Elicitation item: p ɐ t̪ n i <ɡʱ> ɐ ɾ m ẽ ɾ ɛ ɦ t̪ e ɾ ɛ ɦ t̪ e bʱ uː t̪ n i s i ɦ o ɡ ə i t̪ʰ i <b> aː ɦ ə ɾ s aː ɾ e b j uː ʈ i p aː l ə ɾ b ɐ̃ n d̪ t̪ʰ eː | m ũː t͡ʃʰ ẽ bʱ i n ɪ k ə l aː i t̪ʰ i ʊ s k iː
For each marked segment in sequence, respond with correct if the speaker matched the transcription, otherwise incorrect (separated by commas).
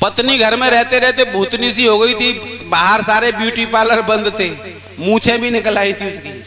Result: correct, correct